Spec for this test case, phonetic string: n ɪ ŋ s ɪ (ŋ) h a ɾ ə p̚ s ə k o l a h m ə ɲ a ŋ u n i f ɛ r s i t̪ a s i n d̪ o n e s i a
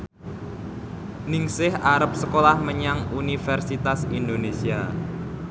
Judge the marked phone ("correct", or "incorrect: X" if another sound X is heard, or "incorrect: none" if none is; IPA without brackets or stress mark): incorrect: none